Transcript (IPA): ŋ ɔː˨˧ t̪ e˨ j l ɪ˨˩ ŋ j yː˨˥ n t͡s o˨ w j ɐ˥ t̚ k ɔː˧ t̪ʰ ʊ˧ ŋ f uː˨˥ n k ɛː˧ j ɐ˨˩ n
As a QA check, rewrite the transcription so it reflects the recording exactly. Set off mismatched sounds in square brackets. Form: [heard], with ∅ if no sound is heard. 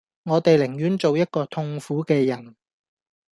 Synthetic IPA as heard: ŋ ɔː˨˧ t̪ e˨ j l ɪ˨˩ ŋ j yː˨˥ n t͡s o˨ w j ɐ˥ t̚ k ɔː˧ t̪ʰ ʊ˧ ŋ f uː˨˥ [∅] k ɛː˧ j ɐ˨˩ n